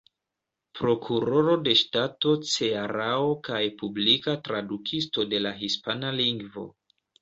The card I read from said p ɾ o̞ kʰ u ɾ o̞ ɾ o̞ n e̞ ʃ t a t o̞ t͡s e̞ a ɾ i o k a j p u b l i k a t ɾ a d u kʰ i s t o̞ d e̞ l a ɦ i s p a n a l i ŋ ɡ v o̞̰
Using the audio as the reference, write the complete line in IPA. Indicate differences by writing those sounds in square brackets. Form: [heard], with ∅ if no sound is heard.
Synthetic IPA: p ɾ o̞ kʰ u ɾ o̞ ɾ o̞ [d] e̞ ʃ t a t o̞ t͡s e̞ a ɾ [a] o k a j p u b l i k a t ɾ a d u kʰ i s t o̞ d e̞ l a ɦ i s p a n a l i ŋ ɡ v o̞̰